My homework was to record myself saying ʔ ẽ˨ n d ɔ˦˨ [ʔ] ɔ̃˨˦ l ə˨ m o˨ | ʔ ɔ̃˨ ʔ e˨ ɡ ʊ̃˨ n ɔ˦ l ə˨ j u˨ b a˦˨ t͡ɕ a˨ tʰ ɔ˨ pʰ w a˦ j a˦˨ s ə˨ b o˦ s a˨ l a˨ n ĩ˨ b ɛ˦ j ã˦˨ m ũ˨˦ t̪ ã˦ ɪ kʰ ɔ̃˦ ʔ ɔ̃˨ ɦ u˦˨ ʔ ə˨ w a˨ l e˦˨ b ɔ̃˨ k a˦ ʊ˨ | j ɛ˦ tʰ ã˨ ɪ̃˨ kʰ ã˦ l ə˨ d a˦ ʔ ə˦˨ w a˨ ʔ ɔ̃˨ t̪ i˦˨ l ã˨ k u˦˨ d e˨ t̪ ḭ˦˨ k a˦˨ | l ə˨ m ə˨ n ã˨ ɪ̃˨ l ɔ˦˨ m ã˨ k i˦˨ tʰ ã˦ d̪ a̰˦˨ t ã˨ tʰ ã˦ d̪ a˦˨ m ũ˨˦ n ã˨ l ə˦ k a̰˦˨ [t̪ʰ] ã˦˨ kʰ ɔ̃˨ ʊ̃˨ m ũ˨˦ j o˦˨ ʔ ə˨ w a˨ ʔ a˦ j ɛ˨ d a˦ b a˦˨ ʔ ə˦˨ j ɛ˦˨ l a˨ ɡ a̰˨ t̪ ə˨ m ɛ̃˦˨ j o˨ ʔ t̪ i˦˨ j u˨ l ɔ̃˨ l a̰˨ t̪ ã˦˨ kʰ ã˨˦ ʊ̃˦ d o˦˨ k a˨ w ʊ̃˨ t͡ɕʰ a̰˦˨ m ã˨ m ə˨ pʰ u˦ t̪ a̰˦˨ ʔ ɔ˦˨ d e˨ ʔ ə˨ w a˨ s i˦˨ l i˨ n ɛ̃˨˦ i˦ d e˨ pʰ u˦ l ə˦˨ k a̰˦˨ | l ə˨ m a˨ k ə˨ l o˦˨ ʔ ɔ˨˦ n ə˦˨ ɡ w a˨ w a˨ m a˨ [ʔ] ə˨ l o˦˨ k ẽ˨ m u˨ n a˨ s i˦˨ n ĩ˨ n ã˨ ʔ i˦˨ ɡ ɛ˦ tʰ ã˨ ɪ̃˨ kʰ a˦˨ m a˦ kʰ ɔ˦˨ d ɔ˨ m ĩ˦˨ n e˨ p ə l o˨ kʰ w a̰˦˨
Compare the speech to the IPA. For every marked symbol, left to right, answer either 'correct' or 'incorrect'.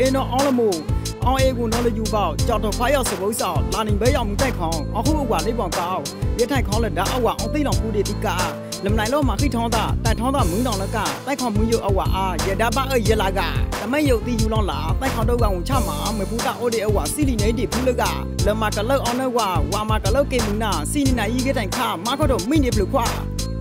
correct, incorrect, incorrect

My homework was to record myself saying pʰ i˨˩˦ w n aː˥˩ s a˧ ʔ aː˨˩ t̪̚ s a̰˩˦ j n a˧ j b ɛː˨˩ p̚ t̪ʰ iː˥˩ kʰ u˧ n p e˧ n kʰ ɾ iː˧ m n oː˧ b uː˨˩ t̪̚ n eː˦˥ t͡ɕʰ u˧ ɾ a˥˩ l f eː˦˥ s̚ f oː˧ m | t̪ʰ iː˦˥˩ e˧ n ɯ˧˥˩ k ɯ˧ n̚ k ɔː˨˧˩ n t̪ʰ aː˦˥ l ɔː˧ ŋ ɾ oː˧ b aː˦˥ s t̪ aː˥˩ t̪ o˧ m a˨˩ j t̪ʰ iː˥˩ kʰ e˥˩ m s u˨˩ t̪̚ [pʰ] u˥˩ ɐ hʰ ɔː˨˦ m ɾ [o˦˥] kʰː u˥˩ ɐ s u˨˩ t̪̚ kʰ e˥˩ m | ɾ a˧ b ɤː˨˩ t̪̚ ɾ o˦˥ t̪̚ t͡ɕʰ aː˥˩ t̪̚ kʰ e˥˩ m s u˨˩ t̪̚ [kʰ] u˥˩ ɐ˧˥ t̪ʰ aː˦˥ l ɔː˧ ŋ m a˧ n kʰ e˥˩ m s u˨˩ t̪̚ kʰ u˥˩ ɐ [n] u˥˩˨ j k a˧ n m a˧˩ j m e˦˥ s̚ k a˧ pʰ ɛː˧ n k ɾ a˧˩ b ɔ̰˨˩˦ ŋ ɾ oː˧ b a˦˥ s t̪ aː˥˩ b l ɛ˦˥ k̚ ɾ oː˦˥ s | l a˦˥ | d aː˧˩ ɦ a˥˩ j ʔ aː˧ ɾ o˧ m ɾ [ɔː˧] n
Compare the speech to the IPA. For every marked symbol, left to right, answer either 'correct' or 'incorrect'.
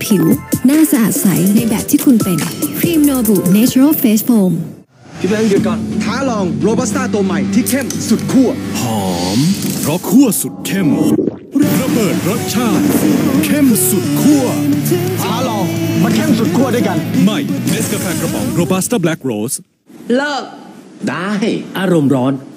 incorrect, incorrect, correct, incorrect, incorrect

